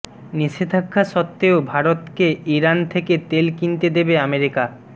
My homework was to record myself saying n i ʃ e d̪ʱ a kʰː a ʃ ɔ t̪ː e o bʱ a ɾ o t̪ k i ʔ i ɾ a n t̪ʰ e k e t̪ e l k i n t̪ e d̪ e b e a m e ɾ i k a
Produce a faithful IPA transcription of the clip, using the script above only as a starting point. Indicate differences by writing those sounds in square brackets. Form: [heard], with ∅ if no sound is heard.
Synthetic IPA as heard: n i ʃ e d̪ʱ a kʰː a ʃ ɔ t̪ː e o bʱ a ɾ o t̪ k [e] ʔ i ɾ a n t̪ʰ e k e t̪ e l k i n t̪ e d̪ e b e a m e ɾ i k a